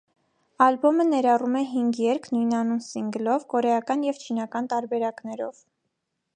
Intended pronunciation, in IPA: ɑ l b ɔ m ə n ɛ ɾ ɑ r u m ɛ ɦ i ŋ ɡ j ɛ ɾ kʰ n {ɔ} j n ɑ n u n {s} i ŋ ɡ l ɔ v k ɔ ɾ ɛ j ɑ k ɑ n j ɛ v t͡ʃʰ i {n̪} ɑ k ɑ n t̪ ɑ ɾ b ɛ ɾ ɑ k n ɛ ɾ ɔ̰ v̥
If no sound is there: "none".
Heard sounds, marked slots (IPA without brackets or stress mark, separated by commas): u, s, n̪